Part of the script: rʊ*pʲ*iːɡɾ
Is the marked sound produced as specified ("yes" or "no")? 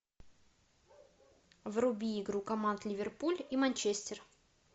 no